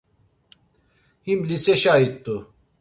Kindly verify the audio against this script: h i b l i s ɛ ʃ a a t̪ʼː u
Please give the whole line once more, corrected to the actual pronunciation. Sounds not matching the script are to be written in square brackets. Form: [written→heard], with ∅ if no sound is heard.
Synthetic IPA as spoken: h i [b→m] l i s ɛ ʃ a [a→i] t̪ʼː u